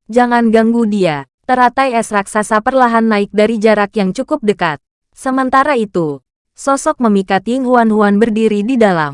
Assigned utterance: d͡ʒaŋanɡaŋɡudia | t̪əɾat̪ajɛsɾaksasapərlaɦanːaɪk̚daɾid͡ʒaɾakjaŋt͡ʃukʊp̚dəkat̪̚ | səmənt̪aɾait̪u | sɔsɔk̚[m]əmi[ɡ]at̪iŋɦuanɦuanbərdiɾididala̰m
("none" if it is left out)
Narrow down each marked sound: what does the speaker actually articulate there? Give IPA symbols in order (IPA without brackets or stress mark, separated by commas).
m, k